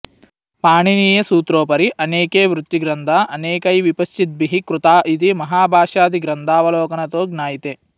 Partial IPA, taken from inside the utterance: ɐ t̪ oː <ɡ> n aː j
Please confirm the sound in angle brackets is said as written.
yes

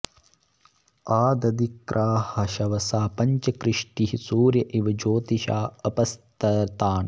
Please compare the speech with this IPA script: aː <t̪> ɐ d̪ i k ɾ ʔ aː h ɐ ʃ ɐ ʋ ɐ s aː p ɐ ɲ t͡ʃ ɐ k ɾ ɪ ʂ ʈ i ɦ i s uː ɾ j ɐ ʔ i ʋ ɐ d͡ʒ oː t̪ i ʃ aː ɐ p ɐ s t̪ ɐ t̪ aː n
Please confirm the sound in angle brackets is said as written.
no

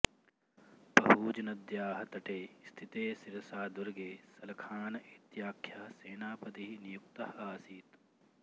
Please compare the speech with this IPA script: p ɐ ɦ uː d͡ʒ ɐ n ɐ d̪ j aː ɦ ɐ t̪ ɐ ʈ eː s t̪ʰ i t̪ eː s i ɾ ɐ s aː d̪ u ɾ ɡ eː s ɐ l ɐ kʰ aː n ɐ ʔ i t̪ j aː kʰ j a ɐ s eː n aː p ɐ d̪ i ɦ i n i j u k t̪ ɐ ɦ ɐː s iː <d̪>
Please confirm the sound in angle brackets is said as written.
no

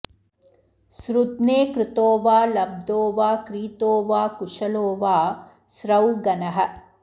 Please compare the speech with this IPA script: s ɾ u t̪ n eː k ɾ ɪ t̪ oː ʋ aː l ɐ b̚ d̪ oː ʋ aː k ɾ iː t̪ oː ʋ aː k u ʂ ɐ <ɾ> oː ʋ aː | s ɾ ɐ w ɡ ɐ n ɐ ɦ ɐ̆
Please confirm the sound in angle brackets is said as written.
no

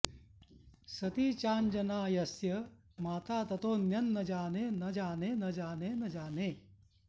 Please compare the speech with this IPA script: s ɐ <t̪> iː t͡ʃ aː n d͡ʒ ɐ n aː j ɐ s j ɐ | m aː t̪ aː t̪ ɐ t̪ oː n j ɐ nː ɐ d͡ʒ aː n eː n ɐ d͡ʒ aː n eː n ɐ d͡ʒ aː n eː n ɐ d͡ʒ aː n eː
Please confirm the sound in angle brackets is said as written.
yes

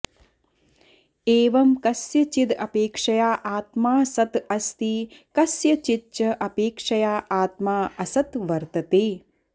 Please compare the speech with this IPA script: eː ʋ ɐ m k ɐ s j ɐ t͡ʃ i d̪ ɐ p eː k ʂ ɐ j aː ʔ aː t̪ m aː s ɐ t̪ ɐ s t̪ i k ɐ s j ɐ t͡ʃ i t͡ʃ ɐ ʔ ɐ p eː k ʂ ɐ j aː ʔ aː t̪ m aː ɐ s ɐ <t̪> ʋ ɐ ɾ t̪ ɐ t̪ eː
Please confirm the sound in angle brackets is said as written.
yes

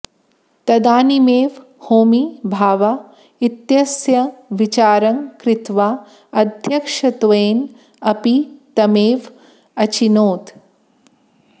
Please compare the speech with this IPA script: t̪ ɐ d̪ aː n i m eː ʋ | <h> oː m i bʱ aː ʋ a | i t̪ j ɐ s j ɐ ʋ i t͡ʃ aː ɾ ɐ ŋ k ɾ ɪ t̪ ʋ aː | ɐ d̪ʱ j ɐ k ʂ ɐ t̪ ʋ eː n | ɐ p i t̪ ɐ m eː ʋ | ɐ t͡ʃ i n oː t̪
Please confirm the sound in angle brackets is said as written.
yes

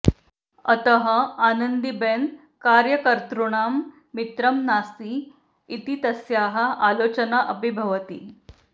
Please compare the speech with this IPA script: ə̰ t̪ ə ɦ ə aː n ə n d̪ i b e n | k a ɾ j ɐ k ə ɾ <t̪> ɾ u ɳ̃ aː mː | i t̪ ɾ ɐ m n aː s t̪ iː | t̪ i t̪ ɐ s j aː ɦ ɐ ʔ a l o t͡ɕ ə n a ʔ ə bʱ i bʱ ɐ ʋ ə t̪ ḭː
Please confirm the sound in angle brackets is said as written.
yes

